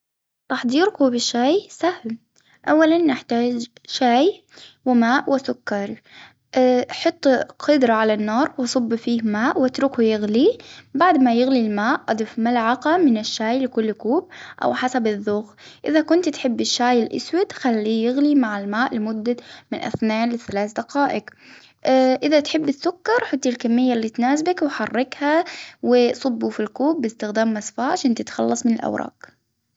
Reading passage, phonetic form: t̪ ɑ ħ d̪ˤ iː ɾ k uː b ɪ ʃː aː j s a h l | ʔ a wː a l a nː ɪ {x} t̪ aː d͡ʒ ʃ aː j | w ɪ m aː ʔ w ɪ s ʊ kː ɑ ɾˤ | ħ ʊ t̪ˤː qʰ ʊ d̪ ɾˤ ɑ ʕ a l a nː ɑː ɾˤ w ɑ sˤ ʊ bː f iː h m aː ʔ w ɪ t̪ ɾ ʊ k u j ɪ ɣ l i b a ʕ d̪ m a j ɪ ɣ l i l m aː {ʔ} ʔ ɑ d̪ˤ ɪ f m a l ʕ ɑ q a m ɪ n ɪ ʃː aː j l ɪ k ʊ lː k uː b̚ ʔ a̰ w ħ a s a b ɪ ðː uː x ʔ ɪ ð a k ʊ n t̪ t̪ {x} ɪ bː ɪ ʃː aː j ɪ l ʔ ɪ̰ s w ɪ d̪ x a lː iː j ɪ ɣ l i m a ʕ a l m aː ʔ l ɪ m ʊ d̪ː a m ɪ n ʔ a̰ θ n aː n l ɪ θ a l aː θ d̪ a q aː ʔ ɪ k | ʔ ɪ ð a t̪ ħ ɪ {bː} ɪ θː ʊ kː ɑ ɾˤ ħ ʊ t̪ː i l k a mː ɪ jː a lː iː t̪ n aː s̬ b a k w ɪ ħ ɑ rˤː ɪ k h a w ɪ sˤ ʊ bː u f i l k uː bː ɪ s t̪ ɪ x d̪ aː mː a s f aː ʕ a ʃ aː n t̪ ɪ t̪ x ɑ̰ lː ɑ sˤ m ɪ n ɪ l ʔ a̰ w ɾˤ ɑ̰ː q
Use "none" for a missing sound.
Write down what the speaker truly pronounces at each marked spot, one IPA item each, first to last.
ħ, ʔ, ħ, bː

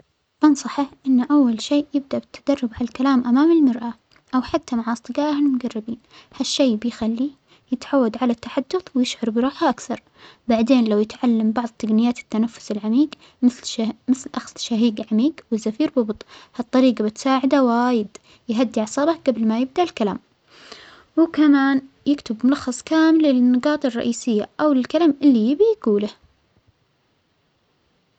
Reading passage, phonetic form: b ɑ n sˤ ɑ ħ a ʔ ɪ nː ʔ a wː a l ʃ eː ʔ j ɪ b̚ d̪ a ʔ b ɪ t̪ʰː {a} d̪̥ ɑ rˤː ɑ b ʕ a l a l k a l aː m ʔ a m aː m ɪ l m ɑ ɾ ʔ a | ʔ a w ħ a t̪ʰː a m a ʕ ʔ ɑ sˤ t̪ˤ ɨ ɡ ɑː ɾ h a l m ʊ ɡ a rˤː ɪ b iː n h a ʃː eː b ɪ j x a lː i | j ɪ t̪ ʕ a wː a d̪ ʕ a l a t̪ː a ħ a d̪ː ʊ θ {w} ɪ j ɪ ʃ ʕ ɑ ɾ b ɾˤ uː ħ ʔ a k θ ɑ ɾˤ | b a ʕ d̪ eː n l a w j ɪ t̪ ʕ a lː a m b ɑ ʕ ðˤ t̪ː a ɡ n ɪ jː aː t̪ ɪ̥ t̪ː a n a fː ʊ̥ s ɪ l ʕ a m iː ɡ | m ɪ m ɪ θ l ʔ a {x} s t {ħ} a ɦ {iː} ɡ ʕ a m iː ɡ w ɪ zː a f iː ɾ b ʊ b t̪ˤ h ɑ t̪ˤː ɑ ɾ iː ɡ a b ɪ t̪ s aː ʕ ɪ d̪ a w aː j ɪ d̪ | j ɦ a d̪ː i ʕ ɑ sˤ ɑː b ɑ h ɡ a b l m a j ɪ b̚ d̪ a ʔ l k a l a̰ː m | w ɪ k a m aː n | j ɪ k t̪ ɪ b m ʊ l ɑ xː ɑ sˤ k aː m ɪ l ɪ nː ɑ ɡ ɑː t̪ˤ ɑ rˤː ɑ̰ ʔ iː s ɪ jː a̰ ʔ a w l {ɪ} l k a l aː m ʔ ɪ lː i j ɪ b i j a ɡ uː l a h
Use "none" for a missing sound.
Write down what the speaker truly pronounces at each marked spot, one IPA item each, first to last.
a, w, x, ʃ, iː, ɪ

